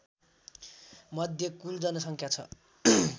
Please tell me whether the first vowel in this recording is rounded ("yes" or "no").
no